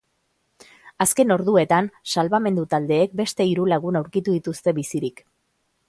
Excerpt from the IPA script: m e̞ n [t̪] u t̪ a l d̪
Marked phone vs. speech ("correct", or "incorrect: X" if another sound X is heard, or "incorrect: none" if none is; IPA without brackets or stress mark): incorrect: d̪